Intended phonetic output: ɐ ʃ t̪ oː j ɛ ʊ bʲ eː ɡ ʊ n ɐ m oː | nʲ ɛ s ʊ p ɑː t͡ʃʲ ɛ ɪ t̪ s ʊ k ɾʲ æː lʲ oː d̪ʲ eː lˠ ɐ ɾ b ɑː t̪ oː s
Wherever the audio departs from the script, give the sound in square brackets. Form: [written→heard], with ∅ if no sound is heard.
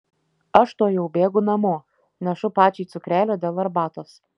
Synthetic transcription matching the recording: ɐ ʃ t̪ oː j ɛ ʊ bʲ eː ɡ ʊ n ɐ m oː | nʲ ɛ [s→ʃ] ʊ p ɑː t͡ʃʲ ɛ ɪ t̪ s ʊ k ɾʲ æː lʲ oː d̪ʲ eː lˠ ɐ ɾ b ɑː t̪ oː s